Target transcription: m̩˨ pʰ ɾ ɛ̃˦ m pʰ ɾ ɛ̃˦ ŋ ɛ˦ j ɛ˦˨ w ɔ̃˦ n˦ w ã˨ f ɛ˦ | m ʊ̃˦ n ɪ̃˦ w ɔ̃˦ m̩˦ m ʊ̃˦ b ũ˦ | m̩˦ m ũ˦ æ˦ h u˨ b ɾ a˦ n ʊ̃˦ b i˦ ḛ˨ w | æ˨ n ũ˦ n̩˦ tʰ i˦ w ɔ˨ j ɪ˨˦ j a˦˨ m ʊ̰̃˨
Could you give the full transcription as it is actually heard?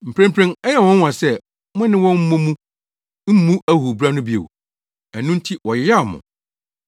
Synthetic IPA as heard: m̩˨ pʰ ɾ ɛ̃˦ m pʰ ɾ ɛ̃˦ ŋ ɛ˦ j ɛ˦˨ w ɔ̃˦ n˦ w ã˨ s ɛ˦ | m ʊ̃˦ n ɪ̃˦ w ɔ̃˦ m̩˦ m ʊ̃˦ m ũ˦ | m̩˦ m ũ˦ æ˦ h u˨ b ɾ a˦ n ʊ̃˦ b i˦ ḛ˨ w | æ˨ n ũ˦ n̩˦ tʰ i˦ w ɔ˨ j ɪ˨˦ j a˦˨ m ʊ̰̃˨